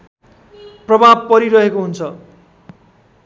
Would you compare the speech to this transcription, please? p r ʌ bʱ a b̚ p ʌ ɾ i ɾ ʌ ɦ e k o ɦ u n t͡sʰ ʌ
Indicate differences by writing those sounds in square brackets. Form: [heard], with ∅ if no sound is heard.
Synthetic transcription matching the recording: p r ʌ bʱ a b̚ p ʌ ɾ i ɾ ʌ ɦ e k o ɦ u n t͡sʰ ʌ